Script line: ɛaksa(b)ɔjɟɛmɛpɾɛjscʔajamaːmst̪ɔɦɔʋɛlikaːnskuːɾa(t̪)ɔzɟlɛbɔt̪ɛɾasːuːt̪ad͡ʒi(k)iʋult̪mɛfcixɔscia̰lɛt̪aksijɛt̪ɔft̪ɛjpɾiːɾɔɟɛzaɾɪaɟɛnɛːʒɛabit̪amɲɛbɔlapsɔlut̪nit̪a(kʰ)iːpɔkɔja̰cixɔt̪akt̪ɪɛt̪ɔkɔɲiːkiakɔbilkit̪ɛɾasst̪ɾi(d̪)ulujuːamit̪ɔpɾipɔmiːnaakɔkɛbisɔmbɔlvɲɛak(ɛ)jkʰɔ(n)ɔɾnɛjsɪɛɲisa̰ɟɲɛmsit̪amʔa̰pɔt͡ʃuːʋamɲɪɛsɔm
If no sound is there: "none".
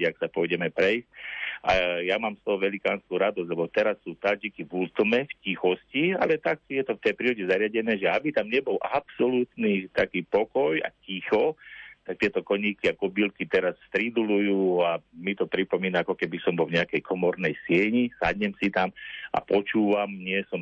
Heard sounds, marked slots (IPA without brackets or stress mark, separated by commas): p, d̪, k, k, d̪, ɛ, m